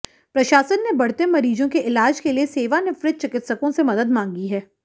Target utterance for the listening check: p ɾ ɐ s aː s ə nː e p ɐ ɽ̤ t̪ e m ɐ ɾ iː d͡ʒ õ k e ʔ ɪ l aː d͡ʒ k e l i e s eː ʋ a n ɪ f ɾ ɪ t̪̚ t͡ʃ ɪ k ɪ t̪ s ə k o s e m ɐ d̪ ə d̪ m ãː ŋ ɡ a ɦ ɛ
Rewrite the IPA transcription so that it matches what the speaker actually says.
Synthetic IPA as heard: p ɾ ɐ ʃ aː s ə nː e b ɐ ɽ̤ t̪ e m ɐ ɾ iː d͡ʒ õ k e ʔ ɪ l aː d͡ʒ k e l i e s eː ʋ a n ɪ f ɾ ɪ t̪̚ t͡ʃ ɪ k ɪ t̪ s ə k õ s e m ɐ d̪ ə d̪ m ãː ŋ ɡ i ɦ ɛː